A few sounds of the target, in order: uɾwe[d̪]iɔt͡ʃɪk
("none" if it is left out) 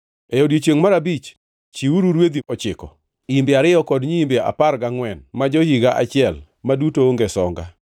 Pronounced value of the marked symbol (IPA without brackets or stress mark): d̪